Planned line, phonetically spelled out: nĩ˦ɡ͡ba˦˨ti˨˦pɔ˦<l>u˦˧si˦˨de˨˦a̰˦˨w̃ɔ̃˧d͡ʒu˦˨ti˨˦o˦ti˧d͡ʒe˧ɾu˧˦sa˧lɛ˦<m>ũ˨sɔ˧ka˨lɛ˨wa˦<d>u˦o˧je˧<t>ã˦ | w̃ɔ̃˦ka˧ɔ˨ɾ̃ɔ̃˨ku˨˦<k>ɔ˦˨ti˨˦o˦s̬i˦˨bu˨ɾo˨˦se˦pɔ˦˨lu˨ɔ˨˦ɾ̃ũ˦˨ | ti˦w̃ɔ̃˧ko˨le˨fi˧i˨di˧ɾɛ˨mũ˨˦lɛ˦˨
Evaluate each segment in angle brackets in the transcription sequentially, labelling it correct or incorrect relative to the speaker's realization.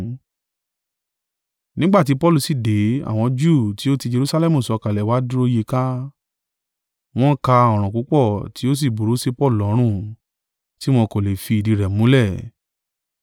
correct, correct, correct, incorrect: k, incorrect: k͡p

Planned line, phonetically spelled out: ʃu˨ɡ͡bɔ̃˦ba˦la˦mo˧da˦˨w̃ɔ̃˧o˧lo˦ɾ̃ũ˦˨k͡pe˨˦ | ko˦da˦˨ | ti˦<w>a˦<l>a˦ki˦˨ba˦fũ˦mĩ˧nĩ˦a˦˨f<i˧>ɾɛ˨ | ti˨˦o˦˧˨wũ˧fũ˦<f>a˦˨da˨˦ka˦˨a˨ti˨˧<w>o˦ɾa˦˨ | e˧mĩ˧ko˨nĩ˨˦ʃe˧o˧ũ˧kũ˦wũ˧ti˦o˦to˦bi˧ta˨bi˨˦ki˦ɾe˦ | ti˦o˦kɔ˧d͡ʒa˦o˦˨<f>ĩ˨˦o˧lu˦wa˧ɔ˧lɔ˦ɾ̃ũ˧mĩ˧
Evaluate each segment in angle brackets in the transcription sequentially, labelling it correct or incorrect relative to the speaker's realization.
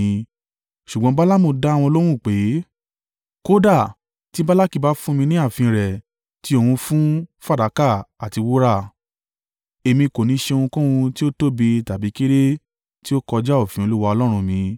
incorrect: b, correct, incorrect: ĩ˧, correct, correct, correct

